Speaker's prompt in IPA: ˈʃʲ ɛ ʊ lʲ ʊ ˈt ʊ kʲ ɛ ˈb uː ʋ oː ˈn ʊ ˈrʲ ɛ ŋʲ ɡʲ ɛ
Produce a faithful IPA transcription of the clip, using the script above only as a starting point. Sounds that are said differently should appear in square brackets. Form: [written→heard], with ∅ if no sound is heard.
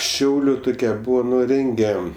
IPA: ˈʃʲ ɛ ʊ lʲ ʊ ˈt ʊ kʲ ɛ ˈb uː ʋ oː ˈn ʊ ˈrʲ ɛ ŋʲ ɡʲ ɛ